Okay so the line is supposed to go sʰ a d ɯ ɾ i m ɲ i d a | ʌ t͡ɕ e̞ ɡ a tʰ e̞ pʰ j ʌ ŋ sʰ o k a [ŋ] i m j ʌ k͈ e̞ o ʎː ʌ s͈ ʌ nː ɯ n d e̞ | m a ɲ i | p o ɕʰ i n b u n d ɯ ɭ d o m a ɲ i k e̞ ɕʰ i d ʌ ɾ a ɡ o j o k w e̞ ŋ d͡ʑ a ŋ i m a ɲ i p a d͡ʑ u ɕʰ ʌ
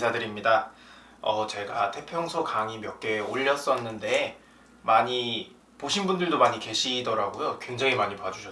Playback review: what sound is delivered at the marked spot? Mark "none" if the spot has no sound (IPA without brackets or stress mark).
ŋ